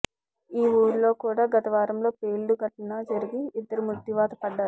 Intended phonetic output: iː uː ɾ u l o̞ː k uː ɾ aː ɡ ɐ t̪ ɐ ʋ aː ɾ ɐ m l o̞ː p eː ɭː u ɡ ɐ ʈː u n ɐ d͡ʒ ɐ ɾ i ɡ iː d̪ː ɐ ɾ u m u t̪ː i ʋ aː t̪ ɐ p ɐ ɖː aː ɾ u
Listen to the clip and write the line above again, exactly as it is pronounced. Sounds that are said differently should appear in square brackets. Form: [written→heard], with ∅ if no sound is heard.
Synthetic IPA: iː uː ɾ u l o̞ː k uː [ɾ→ɽ] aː ɡ ɐ t̪ ɐ ʋ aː ɾ ɐ m l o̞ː p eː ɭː u ɡ ɐ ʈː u n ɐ d͡ʒ ɐ ɾ i ɡ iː d̪ː ɐ ɾ u m u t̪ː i ʋ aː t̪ ɐ p ɐ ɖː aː ɾ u